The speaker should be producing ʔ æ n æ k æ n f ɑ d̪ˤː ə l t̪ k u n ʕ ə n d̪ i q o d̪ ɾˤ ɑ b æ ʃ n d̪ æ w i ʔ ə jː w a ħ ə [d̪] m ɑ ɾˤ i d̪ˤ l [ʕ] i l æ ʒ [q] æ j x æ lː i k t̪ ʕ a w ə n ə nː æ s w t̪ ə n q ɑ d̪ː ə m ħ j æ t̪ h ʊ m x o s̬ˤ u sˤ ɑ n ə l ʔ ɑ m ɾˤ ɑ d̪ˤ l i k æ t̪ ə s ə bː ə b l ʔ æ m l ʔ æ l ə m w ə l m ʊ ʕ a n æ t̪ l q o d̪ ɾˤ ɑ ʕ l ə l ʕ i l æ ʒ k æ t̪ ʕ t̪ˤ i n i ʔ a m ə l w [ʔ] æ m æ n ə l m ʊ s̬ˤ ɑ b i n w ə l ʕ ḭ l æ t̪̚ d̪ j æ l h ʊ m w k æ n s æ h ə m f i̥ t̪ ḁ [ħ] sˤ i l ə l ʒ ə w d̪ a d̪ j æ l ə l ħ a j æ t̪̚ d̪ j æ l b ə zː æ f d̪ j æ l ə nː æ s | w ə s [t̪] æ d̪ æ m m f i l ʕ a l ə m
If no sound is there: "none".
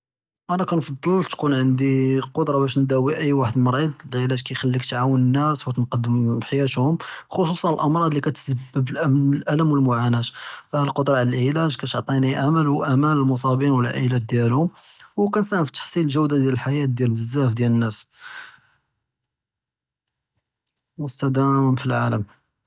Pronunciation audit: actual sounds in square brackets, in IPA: d̪, ʕ, k, ʔ, ħ, t̪

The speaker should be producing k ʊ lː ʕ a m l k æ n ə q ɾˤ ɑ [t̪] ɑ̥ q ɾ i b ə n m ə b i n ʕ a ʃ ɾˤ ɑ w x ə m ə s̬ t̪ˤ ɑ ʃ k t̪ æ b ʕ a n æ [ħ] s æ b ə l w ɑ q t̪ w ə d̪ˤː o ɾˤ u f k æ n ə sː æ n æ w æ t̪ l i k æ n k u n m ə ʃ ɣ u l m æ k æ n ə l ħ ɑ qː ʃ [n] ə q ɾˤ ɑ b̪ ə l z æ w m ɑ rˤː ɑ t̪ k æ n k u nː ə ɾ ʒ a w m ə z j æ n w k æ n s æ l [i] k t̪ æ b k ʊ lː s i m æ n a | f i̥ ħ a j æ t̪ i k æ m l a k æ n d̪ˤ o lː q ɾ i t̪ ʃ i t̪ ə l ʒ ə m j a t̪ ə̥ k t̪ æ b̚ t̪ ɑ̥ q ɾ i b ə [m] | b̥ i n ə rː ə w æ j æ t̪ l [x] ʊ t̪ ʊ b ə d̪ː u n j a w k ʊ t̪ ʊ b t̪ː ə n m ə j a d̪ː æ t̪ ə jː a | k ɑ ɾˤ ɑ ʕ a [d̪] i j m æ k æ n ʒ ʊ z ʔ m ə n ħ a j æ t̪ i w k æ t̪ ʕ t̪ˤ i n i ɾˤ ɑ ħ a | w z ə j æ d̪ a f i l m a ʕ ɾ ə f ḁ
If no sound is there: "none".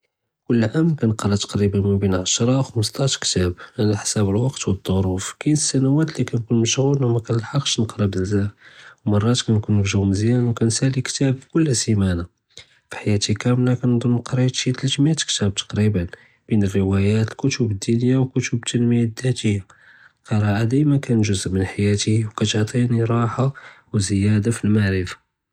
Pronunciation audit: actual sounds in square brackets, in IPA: t̪, ħ, n, i, n, k, d̪

